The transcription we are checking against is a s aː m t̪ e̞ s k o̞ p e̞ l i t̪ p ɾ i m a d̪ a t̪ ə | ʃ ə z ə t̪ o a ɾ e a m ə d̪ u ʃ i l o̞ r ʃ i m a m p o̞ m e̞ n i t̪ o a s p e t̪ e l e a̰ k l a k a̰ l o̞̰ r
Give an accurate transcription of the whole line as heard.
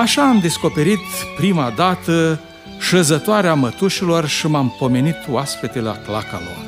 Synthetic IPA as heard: a ʃ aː m d̪ e̞ s k o̞ p e̞ ɾ i t̪ p ɾ i m a d̪ a t̪ ə | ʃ ə z ə t̪ o a ɾ e a m ə t̪ u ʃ i l o̞ r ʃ i m a m p o̞ m e̞ n i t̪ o a s p e t̪ e l e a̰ k l a k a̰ l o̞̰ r